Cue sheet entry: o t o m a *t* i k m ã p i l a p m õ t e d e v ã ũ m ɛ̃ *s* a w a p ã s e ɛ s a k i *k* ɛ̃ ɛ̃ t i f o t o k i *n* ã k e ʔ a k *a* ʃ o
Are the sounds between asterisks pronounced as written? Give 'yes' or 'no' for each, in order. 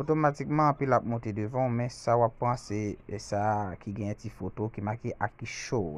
yes, yes, no, no, no

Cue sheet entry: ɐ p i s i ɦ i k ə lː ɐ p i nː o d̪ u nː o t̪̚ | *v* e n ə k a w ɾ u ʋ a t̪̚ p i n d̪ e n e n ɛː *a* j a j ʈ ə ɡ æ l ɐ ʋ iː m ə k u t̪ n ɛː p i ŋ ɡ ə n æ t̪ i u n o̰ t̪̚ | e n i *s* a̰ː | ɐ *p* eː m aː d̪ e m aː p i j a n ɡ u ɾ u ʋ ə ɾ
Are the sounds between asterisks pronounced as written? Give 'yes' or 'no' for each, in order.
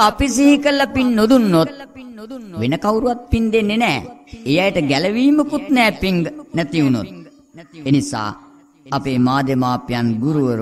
no, no, yes, yes

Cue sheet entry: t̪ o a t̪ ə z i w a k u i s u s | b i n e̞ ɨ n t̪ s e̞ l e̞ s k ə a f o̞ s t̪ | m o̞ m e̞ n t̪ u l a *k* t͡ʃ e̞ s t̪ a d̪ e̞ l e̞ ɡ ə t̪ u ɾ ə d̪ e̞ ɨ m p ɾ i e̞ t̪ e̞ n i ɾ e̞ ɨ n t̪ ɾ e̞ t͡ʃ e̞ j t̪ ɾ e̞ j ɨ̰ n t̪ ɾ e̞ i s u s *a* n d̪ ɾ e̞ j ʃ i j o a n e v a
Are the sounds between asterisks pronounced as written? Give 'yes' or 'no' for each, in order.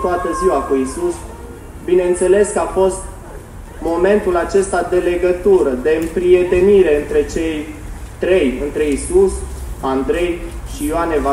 no, yes

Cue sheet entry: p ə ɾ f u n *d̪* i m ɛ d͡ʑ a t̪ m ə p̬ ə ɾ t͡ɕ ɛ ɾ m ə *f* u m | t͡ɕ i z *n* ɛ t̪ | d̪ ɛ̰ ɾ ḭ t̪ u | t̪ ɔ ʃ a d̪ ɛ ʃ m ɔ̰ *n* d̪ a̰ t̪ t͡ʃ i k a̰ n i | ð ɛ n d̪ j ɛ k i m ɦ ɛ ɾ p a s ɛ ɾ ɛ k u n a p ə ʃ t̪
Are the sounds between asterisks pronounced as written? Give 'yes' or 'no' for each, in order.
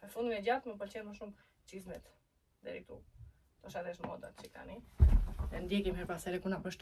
yes, no, no, no

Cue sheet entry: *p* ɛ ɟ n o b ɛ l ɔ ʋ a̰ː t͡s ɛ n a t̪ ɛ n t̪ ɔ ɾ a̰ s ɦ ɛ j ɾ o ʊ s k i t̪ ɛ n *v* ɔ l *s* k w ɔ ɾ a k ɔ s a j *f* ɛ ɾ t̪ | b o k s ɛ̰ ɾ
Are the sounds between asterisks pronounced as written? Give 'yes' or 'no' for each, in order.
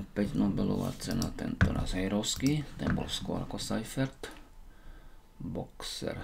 yes, no, yes, yes

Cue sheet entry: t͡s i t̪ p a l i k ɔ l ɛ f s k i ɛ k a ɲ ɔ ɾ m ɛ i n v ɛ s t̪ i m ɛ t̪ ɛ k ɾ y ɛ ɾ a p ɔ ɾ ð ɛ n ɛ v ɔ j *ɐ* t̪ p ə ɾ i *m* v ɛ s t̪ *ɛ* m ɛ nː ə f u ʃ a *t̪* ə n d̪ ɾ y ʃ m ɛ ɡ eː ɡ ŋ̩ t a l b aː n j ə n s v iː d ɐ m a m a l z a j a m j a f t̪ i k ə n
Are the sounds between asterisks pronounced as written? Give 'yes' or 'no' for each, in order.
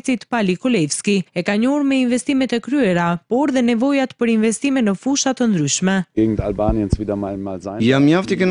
no, no, no, yes

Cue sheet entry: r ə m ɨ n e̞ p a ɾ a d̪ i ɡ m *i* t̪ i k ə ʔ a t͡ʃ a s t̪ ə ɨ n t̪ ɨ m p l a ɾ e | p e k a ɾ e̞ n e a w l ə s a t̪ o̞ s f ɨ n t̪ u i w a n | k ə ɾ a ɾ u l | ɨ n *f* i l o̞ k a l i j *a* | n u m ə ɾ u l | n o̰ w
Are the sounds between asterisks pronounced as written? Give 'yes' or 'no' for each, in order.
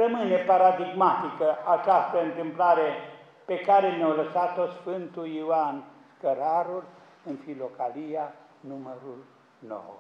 no, yes, yes

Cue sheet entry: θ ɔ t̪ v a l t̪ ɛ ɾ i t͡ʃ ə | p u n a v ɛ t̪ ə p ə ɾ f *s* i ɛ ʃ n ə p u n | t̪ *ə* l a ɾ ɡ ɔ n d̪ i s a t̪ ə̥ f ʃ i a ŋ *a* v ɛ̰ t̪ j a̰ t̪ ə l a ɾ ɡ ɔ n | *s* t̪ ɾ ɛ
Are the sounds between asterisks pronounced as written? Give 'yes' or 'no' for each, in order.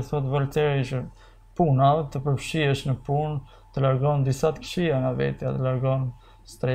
no, yes, yes, yes

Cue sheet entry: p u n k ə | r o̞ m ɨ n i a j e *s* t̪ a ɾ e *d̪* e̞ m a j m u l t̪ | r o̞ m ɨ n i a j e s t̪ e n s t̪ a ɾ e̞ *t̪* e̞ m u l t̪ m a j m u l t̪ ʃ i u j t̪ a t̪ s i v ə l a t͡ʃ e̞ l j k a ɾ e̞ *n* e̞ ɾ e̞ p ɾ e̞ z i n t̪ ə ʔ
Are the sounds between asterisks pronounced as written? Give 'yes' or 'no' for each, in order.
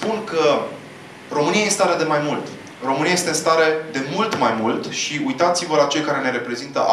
yes, yes, no, yes

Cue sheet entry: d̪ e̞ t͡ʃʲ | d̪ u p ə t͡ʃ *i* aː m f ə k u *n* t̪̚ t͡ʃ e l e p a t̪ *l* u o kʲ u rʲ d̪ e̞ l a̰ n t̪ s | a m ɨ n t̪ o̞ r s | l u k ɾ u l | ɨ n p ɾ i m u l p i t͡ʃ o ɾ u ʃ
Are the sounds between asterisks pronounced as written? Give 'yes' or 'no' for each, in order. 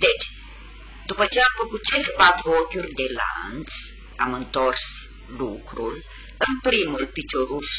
no, no, no

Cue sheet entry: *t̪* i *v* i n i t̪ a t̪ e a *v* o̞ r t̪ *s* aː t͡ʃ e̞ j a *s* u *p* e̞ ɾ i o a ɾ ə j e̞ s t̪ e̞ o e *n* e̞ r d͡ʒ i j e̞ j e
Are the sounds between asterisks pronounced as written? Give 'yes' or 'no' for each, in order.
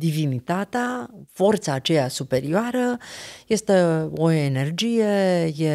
no, yes, no, yes, yes, yes, yes

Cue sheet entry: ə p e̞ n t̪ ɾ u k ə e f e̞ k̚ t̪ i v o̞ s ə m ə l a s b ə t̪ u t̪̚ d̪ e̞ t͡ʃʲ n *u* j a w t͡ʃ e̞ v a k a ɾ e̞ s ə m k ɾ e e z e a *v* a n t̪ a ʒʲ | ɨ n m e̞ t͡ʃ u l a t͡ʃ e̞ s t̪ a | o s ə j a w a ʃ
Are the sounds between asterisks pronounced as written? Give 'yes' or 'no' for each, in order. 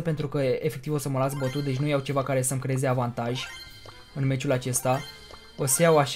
yes, yes

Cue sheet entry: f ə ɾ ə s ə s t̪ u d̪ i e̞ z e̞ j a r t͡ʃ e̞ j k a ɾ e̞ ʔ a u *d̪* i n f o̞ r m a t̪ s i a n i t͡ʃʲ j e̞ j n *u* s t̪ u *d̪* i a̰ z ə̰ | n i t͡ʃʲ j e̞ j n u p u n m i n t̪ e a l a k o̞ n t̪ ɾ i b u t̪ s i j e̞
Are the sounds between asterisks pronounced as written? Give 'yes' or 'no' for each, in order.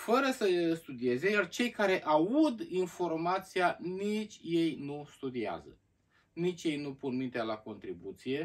yes, yes, yes

